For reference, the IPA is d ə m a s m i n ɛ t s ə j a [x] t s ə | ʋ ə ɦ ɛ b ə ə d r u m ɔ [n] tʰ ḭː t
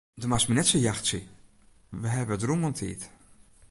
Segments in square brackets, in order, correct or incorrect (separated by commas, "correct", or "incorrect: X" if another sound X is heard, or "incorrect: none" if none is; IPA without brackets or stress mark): correct, correct